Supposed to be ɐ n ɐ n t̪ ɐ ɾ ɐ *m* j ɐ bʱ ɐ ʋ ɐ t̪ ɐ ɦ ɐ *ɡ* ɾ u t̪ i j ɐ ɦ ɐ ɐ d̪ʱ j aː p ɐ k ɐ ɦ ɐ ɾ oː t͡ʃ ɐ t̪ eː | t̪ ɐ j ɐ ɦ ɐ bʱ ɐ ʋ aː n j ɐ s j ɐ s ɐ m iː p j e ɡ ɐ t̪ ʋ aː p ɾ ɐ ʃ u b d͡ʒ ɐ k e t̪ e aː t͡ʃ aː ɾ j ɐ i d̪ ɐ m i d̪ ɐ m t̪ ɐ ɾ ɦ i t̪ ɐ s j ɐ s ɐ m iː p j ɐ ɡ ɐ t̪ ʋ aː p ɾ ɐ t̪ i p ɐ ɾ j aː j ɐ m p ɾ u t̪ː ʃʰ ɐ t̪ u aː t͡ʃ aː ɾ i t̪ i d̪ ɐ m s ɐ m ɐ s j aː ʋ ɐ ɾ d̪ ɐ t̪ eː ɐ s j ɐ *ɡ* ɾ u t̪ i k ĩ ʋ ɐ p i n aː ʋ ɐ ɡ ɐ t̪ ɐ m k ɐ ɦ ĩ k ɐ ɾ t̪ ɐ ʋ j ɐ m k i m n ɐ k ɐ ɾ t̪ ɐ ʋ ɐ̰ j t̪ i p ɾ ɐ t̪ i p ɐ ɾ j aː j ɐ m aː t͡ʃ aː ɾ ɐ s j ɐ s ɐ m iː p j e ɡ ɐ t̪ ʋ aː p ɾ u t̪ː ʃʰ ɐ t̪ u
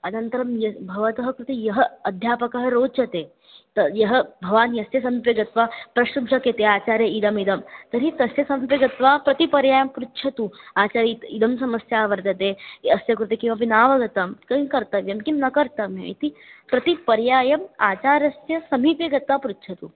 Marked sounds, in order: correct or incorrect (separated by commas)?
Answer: correct, incorrect, incorrect